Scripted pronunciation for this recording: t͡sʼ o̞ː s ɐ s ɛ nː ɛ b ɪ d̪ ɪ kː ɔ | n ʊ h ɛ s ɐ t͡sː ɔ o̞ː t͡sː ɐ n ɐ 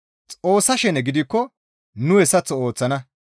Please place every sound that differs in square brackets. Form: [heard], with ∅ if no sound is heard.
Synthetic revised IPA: t͡sʼ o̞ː s ɐ [ʃ] ɛ [n] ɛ [ɡ] ɪ d̪ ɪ kː ɔ | n ʊ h ɛ s ɐ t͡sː ɔ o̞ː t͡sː ɐ n ɐ